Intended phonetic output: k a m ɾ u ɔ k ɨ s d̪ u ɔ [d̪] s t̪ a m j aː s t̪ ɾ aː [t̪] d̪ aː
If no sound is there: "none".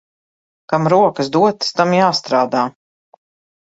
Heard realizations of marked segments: t̪, none

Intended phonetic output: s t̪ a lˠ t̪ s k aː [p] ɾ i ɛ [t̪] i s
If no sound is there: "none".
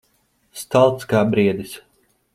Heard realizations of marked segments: b, d̪

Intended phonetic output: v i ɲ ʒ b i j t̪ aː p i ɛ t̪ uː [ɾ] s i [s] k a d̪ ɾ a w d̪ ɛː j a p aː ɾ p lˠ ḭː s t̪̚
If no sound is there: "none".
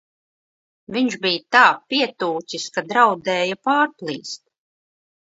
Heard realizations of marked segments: none, s

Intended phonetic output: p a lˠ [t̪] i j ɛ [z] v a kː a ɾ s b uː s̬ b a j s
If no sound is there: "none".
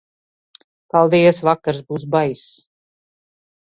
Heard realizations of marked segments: d̪, s

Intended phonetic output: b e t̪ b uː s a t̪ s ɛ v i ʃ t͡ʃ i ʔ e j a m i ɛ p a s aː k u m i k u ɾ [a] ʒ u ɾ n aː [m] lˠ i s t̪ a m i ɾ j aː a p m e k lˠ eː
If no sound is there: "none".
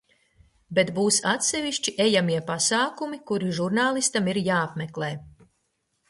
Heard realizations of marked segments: i, none

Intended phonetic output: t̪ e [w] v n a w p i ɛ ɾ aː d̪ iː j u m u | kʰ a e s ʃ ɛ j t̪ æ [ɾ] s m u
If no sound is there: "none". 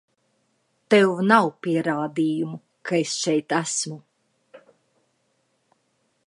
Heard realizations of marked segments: w, none

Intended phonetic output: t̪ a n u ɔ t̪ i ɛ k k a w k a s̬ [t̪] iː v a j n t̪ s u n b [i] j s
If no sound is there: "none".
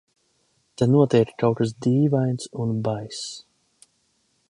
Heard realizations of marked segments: d̪, a

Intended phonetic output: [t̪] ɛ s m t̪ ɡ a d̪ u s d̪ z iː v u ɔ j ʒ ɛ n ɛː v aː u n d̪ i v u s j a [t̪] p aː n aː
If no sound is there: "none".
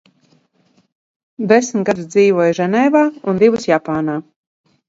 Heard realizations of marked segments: d̪, none

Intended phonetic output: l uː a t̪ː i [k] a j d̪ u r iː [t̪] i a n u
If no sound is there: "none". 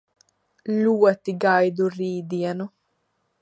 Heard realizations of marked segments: ɡ, d̪

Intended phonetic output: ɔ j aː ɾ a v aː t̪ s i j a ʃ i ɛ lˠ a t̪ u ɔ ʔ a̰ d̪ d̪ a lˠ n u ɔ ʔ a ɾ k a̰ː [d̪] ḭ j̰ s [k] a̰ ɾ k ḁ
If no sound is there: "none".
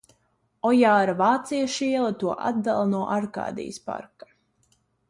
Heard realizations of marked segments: d̪, p

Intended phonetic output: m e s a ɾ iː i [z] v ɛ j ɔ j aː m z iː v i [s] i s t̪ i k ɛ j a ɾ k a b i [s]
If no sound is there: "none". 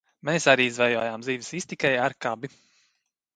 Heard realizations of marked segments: z, s, none

